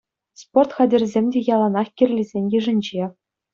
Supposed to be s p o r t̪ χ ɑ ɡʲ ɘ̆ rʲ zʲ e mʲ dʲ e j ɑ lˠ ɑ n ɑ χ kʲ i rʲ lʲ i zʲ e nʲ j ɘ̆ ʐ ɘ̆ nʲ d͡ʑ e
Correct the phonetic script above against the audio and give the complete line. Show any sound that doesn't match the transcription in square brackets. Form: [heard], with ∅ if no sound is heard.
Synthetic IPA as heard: s p o r t̪ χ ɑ [dʲ] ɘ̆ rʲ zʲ e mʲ dʲ e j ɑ lˠ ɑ n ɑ χ kʲ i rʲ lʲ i zʲ e nʲ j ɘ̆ ʐ ɘ̆ nʲ d͡ʑ e